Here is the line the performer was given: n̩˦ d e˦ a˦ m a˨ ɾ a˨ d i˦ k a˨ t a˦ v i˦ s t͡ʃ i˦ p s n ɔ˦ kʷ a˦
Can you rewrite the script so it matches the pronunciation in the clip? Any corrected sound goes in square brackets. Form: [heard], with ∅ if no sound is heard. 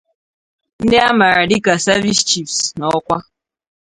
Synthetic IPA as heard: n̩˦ d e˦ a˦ m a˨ ɾ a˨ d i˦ k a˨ [s] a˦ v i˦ s t͡ʃ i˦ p s n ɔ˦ kʷ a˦